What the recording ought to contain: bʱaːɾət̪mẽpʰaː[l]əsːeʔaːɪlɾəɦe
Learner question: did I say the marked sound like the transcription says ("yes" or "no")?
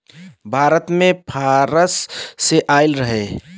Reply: no